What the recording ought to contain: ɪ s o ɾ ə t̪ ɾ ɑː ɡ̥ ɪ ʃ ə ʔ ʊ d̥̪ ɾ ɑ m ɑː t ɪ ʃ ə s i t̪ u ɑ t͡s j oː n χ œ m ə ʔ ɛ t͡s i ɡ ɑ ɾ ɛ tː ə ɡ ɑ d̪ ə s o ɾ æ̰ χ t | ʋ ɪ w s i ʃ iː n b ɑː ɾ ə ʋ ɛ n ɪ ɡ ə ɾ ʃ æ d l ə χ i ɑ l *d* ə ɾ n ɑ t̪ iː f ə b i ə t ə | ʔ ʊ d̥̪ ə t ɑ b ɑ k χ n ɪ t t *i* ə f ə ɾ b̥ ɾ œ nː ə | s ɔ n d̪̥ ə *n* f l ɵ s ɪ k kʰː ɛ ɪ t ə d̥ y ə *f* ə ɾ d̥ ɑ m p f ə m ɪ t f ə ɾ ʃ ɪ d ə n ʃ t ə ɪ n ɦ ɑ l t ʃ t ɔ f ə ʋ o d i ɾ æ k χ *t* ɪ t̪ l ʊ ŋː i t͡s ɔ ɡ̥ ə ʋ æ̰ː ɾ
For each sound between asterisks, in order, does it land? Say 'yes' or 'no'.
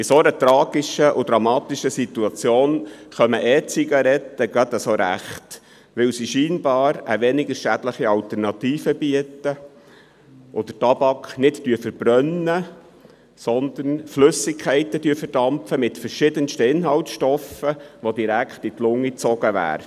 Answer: no, no, yes, yes, yes

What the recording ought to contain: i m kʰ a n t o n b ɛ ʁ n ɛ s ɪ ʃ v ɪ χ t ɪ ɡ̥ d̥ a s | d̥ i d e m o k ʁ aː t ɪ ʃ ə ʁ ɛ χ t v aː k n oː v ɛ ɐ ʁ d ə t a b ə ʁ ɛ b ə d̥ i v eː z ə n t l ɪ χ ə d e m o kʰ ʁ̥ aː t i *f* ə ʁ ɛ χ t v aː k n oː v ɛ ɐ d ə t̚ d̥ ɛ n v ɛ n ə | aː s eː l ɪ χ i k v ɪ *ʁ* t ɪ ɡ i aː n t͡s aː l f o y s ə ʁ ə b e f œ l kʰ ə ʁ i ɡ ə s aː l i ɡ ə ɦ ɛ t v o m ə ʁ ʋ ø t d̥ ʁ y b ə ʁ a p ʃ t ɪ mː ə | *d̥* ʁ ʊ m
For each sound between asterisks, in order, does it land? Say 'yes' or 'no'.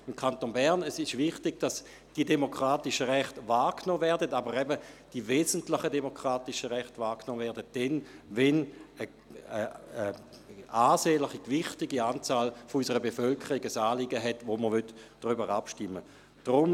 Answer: no, no, yes

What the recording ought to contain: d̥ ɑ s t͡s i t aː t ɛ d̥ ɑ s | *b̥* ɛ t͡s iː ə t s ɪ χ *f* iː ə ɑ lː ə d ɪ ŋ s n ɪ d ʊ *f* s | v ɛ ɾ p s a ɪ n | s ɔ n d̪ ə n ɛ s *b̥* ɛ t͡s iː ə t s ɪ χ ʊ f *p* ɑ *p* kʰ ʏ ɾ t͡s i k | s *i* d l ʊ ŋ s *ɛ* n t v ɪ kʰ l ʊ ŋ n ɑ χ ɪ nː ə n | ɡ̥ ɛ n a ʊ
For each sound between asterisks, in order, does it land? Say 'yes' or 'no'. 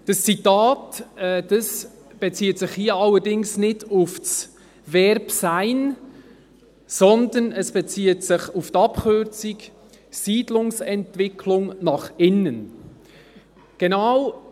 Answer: yes, no, yes, yes, no, yes, no, yes

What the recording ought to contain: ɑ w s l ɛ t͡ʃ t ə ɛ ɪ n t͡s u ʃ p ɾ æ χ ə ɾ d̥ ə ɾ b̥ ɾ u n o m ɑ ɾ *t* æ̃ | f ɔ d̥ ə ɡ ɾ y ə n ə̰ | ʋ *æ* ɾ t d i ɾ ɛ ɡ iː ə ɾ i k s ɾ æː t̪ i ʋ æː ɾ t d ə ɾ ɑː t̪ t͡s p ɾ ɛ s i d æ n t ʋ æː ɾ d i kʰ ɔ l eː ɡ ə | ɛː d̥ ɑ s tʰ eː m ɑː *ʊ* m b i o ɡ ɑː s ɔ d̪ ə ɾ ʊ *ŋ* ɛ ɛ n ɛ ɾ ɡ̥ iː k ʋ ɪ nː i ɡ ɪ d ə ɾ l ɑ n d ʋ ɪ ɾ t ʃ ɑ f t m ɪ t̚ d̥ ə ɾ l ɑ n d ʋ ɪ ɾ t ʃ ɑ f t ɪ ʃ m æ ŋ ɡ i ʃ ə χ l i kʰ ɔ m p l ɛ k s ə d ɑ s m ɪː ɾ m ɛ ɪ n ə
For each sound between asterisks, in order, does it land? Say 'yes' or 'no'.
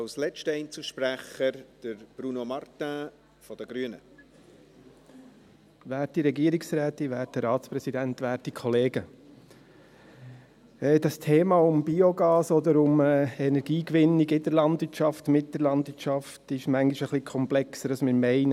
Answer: yes, no, yes, no

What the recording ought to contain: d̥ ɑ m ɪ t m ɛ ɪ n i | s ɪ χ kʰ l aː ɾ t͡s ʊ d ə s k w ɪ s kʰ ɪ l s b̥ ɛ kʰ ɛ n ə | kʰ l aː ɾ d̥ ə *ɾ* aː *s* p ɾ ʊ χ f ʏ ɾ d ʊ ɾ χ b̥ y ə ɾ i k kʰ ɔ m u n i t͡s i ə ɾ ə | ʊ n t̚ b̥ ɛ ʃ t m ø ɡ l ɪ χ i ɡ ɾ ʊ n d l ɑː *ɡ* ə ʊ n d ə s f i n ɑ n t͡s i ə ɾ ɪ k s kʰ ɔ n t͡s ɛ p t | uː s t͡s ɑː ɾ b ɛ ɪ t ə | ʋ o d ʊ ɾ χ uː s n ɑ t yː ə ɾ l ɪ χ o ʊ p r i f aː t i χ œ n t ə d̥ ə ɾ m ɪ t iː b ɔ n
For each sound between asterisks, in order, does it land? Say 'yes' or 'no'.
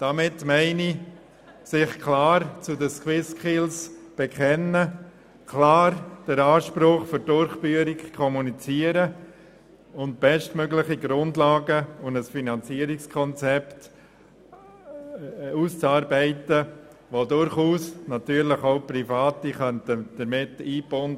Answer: yes, no, yes

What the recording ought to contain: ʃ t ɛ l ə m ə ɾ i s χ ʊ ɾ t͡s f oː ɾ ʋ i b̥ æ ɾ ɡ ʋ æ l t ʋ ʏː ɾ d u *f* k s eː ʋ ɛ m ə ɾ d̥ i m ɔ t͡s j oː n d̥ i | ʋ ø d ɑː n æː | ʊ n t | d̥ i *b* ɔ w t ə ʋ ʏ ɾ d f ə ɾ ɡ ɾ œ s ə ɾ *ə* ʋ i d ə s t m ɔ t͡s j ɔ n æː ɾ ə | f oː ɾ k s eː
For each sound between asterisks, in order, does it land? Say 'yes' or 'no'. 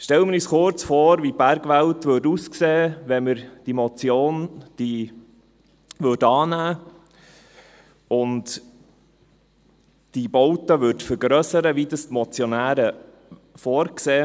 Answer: no, yes, yes

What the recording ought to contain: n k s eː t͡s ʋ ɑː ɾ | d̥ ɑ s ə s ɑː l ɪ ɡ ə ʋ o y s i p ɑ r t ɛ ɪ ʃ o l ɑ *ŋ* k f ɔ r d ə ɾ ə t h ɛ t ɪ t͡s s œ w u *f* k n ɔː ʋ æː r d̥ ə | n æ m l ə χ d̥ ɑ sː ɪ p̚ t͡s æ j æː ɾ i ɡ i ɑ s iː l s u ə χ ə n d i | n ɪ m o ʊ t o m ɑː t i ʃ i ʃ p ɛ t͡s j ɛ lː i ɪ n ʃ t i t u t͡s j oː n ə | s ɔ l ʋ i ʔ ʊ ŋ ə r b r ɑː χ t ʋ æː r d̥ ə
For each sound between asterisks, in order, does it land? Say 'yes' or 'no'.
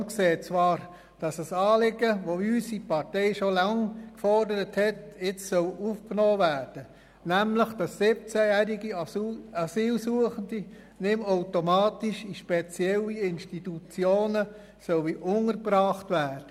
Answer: yes, yes

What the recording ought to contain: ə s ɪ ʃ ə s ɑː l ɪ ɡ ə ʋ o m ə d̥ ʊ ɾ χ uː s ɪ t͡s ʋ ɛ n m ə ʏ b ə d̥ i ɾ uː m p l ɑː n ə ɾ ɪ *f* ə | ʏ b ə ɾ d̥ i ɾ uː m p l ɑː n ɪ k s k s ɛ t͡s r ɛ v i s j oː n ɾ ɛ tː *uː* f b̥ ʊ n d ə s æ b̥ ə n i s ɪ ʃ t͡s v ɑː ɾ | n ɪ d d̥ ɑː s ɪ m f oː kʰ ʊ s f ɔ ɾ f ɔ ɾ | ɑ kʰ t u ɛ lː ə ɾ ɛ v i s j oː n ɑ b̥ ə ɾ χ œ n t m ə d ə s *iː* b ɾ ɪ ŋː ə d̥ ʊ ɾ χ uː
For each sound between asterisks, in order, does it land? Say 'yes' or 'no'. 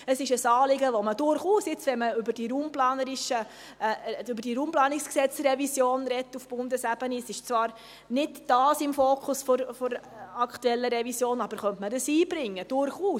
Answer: no, no, yes

